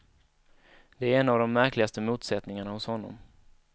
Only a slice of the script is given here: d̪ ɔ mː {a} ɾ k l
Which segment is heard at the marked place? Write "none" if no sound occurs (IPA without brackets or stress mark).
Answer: æ